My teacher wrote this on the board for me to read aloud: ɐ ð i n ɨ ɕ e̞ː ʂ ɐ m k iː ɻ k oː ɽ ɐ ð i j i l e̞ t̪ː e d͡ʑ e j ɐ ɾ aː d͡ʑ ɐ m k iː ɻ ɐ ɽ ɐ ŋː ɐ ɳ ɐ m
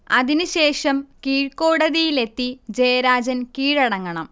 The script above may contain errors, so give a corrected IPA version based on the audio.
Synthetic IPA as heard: ɐ ð i n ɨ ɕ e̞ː ʂ ɐ m k iː ɻ k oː ɽ ɐ ð i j i l e̞ t̪ː i d͡ʑ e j ɐ ɾ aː d͡ʑ ɐ n k iː ɻ ɐ ɽ ɐ ŋː ɐ ɳ ɐ m